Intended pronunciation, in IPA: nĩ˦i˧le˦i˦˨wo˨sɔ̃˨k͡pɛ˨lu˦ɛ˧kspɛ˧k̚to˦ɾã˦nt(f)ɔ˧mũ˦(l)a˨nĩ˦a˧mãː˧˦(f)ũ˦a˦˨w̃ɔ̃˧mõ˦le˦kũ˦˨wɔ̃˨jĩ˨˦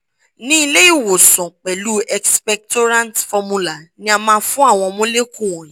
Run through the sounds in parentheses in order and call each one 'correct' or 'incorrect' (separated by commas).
correct, correct, correct